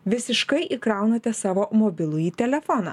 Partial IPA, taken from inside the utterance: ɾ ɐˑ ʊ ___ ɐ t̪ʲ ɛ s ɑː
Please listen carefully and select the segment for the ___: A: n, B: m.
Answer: A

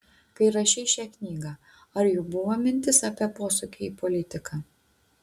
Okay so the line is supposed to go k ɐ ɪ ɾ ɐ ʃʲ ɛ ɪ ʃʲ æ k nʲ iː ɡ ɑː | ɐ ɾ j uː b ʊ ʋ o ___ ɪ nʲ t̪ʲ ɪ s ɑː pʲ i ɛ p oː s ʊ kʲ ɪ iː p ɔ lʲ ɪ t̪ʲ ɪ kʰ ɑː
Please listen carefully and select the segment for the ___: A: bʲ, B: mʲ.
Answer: B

